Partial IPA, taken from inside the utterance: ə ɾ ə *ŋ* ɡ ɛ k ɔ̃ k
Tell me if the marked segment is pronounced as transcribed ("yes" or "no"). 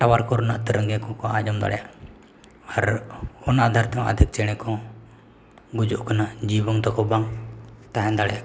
yes